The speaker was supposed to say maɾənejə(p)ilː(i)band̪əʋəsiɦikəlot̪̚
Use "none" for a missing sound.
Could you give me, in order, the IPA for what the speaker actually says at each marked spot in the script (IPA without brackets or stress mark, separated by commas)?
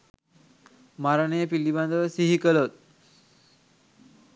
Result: p, i